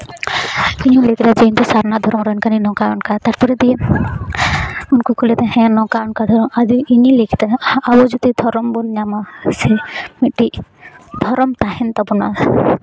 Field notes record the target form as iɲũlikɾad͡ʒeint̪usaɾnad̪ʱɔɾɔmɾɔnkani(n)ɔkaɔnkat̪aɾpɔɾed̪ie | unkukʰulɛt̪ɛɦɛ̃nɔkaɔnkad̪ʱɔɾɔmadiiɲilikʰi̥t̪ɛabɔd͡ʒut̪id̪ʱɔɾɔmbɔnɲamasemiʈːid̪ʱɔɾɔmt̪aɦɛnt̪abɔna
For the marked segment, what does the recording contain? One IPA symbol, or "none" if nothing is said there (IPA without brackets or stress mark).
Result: n